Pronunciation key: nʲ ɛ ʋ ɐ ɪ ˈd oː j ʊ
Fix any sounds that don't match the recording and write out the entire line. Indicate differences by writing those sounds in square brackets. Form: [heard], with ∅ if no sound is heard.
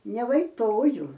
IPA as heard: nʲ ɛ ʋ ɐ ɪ [ˈt] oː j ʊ